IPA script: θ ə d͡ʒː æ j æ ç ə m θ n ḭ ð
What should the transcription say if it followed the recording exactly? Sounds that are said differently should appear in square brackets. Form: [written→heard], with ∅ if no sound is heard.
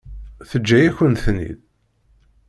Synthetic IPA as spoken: θ ə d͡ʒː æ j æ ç ə [m→n] θ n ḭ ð